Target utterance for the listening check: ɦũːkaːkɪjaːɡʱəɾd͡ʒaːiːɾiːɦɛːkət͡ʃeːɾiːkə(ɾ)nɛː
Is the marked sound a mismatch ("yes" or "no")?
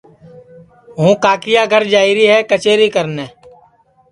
no